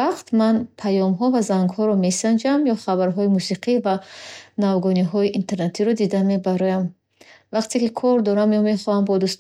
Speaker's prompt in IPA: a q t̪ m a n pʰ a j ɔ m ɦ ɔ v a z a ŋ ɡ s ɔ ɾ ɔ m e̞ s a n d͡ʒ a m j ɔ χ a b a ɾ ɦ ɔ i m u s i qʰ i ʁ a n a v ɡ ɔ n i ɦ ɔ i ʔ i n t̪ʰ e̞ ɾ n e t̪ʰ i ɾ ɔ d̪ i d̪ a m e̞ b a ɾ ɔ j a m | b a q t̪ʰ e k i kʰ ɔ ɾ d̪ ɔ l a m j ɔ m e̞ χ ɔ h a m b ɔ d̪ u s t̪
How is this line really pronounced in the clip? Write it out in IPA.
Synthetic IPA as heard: a q t̪ m a n pʰ a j ɔ m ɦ ɔ v a z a ŋ ɡ h ɔ ɾ ɔ m e̞ s a n d͡ʒ a m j ɔ χ a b a ɾ ɦ ɔ i m u s i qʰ i v a n a v ɡ ɔ n i ɦ ɔ i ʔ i n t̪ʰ e̞ ɾ n e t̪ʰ i ɾ ɔ d̪ i d̪ a m e̞ b a ɾ ɔ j a m | v a q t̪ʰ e k i kʰ ɔ ɾ d̪ ɔ ɾ a m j ɔ m e̞ χ ɔ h a m b ɔ d̪ u s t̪